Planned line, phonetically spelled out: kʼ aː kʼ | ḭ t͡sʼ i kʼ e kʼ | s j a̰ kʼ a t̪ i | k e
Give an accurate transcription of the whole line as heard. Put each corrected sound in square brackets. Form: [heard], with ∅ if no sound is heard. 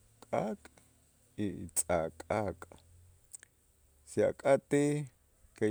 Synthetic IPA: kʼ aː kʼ | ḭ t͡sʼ [a] kʼ [a] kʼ | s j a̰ kʼ a t̪ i | k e